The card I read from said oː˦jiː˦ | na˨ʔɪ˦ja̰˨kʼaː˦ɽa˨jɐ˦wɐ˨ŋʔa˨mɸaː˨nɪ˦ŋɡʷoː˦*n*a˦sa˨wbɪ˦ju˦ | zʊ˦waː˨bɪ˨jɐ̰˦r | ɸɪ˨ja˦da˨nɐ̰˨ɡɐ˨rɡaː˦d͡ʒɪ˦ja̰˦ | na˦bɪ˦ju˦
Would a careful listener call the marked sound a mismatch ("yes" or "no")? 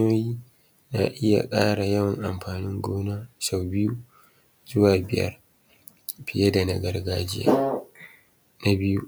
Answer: no